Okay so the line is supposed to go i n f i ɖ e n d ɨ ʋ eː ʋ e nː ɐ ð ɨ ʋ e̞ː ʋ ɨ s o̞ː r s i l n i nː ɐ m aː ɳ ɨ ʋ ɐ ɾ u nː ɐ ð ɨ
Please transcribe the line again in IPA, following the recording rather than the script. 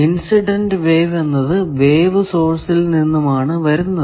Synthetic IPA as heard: i n s i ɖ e n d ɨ ʋ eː ʋ e nː ɐ ð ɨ ʋ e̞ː ʋ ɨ s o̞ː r s i l n i nː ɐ m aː ɳ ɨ ʋ ɐ ɾ u nː ɐ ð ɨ

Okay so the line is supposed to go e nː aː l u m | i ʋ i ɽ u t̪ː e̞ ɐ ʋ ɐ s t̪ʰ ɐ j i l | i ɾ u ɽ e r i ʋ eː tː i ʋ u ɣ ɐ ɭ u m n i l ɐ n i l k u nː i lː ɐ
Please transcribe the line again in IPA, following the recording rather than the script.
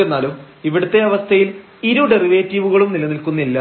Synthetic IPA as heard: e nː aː l u m | i ʋ i ɽ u t̪ː e̞ ɐ ʋ ɐ s t̪ʰ ɐ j i l | i ɾ u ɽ e r i ʋ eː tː i ʋ u ɣ ɐ ɭ u m n i l ɐ n i l k u nː i lː ɐ

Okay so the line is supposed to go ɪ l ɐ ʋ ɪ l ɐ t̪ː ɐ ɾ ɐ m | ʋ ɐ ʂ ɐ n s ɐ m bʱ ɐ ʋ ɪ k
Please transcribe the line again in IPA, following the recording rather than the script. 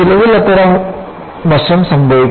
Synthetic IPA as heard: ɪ l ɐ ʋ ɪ l ɐ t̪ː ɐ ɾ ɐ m | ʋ ɐ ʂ ɐ m s ɐ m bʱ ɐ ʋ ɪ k

